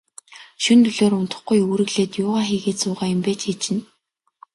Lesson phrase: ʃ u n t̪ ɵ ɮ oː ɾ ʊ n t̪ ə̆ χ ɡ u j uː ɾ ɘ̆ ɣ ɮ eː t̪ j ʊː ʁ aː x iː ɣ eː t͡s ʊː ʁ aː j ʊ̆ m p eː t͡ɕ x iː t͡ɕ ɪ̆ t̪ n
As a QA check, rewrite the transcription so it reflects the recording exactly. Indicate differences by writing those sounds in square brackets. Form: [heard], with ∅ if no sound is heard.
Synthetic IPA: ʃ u n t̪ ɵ ɮ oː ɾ ʊ n t̪ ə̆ χ ɡ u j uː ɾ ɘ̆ ɣ ɮ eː t̪ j ʊː ʁ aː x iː ɣ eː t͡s ʊː ʁ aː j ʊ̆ m p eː t͡ɕ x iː t͡ɕ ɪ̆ [∅] n

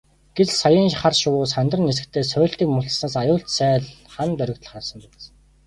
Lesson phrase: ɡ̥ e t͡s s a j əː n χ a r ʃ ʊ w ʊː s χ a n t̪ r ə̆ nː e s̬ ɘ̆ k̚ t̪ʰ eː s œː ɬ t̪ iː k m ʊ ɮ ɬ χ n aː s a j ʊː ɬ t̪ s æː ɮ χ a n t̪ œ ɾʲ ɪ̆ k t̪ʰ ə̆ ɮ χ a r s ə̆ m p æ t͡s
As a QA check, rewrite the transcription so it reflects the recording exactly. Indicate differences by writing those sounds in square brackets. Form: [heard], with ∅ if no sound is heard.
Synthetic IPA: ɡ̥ e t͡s s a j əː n χ a r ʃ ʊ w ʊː s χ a n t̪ r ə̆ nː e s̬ ɘ̆ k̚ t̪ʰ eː s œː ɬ t̪ iː k m ʊ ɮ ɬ [s] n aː s a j ʊː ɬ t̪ s æː ɮ χ a n t̪ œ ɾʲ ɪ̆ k [t̪] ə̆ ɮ χ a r s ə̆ m p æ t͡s

